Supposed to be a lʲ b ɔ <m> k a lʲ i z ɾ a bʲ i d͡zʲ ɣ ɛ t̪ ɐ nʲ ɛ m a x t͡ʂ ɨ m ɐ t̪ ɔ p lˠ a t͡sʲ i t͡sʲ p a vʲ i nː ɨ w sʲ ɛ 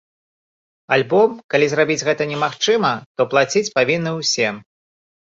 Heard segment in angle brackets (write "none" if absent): m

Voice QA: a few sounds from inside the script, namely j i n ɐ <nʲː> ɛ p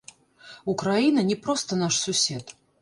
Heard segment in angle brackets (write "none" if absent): nʲ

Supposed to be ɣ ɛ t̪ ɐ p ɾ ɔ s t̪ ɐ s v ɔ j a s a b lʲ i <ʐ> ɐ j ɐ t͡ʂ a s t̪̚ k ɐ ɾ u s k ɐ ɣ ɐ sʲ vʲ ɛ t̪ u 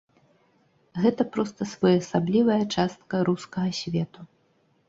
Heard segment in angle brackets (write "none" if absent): v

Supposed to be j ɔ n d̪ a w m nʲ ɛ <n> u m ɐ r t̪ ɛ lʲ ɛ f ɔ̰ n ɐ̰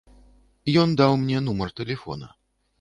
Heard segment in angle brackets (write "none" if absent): n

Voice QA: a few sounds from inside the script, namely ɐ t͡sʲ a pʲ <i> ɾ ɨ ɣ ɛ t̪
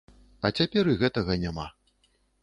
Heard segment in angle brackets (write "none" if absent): ɛ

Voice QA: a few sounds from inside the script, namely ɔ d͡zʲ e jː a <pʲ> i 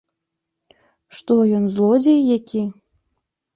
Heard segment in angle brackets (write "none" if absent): kʲ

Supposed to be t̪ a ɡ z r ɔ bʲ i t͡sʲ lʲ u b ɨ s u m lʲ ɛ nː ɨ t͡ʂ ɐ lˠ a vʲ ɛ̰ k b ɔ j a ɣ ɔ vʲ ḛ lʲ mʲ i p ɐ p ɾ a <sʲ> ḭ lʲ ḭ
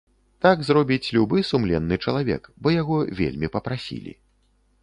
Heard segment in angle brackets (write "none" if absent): sʲ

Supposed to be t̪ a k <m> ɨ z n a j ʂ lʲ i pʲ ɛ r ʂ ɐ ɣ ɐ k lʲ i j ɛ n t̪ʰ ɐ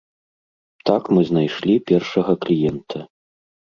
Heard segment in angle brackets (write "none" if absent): m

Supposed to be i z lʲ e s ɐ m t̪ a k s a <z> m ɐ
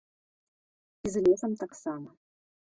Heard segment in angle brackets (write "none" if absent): none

